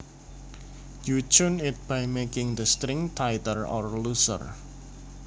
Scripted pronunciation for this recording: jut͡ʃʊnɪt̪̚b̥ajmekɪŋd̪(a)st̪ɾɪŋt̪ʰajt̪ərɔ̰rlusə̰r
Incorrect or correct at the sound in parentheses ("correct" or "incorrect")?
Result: incorrect